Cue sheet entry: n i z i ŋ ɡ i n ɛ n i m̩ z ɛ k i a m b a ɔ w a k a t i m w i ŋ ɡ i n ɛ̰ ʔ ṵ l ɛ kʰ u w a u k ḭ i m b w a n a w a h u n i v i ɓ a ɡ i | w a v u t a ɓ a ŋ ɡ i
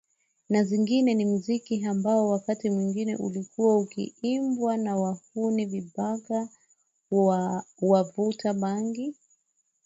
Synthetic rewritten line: n a z i ŋ ɡ i n ɛ n i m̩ z i k i a m b a ɔ w a k a t i m w i ŋ ɡ i n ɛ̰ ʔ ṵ l i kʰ u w a u k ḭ i m b w a n a w a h u n i v i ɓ a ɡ a | w a v u t a ɓ a ŋ ɡ i